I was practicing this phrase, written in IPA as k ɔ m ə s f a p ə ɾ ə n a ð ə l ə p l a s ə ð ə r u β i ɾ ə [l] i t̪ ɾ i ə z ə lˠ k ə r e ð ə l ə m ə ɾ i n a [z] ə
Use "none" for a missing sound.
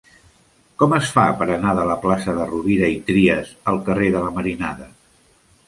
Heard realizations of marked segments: none, ð

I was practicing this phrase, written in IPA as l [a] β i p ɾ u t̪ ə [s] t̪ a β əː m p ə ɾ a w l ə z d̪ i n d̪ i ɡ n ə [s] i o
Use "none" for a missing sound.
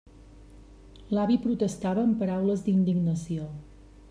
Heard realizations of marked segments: a, s, s

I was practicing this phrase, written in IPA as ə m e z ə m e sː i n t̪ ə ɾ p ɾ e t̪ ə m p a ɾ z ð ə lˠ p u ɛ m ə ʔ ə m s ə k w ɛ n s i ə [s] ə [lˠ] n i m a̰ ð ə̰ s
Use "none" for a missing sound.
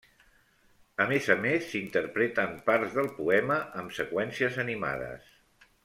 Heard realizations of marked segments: z, none

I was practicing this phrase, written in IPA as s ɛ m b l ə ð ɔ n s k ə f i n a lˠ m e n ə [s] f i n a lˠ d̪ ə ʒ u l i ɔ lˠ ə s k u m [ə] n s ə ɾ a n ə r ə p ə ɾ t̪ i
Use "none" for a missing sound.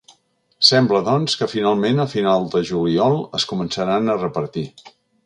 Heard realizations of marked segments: none, ə

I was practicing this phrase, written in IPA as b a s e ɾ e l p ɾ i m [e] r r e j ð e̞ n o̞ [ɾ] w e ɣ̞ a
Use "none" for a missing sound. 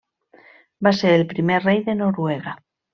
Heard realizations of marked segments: e, ɾ

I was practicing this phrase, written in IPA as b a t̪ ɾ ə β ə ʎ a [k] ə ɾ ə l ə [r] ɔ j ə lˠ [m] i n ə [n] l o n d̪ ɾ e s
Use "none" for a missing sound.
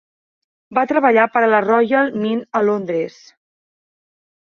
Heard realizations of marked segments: p, r, m, none

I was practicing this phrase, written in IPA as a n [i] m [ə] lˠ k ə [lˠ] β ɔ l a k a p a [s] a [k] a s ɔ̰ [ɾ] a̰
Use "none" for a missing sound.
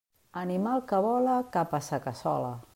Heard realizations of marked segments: i, a, none, s, k, l

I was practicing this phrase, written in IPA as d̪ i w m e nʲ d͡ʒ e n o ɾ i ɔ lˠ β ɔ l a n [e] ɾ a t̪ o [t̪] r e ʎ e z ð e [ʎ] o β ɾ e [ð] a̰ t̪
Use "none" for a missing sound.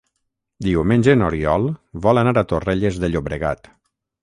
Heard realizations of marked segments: a, none, ʎ, ɣ

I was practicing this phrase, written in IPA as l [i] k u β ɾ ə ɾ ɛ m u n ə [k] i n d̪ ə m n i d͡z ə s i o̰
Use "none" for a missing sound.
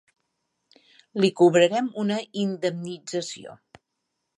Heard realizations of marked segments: i, none

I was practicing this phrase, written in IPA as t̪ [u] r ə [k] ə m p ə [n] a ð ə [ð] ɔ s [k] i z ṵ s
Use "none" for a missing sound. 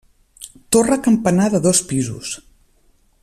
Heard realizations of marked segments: o, k, n, ð, p

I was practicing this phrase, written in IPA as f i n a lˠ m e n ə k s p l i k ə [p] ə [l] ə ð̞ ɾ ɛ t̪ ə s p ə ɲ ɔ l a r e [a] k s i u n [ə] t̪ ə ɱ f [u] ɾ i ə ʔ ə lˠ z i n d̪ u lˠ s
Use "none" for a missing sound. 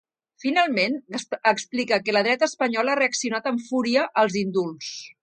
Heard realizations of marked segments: k, l, ə, a, u

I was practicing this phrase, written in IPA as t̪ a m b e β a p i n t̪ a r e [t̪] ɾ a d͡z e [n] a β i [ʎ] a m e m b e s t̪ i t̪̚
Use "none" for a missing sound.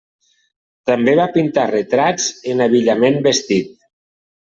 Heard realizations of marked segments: t̪, n, ʎ

